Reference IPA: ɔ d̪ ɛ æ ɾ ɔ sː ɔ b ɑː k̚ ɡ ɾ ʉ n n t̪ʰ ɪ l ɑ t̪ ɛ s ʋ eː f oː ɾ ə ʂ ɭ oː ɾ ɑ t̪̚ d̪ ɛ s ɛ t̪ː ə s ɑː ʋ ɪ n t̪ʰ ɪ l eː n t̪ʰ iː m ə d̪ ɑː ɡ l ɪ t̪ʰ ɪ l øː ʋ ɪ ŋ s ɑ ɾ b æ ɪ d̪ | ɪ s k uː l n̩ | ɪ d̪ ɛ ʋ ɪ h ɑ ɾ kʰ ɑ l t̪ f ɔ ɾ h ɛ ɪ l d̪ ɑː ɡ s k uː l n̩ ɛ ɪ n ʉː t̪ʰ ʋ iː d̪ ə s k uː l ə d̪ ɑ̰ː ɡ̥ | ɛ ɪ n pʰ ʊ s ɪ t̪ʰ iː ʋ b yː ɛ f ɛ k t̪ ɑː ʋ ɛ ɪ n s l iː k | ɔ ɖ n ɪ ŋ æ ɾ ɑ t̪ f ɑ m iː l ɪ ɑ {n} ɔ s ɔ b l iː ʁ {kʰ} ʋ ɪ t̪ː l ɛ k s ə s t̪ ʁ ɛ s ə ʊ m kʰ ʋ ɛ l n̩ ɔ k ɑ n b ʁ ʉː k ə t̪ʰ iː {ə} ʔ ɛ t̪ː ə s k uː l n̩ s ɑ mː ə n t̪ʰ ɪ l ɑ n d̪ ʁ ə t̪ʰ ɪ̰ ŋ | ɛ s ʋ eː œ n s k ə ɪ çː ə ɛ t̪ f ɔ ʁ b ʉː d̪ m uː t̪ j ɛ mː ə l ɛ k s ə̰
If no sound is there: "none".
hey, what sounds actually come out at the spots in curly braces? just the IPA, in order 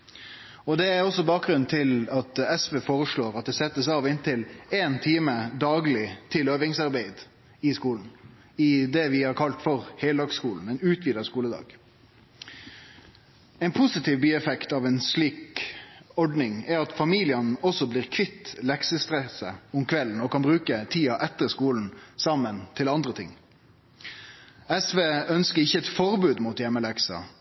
n, kʰ, ɑ

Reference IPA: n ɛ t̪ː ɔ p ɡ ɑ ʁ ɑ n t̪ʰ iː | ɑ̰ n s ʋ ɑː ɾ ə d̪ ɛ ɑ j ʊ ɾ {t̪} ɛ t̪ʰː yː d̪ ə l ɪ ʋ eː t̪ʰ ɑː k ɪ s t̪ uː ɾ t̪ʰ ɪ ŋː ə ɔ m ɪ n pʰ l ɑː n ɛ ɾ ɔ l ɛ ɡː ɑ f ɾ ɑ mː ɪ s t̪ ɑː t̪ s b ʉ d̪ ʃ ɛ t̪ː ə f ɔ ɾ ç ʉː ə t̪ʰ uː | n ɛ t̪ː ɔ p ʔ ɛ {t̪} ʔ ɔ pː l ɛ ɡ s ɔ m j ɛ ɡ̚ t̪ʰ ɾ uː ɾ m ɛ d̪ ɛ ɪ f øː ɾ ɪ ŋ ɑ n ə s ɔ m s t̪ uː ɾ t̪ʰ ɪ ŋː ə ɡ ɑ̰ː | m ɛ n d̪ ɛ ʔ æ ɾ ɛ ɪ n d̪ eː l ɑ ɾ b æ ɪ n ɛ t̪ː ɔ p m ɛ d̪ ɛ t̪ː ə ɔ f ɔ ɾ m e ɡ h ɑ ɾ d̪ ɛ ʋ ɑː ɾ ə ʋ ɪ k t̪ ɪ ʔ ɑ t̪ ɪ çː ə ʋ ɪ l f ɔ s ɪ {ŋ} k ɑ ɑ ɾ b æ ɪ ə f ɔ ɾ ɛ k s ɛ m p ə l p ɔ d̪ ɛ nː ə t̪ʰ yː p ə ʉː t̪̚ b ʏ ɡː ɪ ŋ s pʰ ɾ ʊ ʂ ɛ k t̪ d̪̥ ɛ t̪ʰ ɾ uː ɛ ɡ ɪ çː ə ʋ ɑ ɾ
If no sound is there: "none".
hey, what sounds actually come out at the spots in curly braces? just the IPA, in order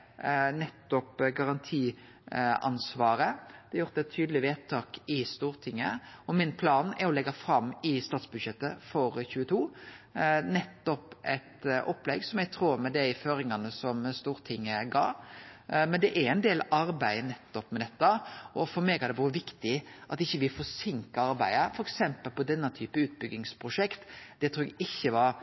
t̪, t̪, ŋ

